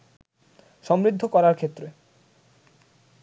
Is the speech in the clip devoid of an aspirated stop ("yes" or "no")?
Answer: no